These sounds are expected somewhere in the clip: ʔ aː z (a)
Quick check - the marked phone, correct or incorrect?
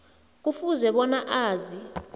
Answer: incorrect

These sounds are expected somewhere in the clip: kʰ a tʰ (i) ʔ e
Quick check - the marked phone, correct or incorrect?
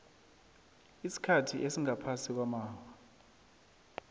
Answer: correct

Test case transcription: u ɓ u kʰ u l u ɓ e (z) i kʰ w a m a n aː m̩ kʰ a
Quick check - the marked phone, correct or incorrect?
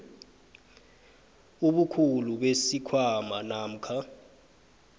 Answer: incorrect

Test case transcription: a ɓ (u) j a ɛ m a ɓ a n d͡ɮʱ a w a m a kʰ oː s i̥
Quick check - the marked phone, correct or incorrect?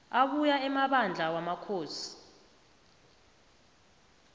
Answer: correct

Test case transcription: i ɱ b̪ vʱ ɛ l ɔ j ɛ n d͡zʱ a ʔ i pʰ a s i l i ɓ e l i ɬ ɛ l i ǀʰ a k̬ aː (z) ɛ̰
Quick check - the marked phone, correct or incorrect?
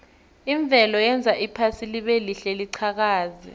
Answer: correct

